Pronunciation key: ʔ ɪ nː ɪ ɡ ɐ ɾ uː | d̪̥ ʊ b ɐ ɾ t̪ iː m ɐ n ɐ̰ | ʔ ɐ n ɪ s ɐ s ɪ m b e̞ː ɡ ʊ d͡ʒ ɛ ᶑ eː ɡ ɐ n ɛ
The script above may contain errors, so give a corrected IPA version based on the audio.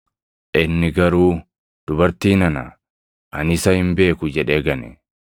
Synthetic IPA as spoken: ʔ ɪ nː ɪ ɡ ɐ ɾ uː | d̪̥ ʊ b ɐ ɾ t̪ iː n ɐ n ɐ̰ | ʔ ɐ n ɪ s ɐ h ɪ m b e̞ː k ʊ d͡ʒ ɛ ᶑ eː ɡ ɐ n ɛ